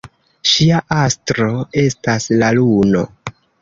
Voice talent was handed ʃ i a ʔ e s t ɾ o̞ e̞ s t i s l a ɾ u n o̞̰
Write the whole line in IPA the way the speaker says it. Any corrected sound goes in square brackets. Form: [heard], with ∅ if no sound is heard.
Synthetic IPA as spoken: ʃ i a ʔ [a] s t ɾ o̞ e̞ s t [a] s l a [l] u n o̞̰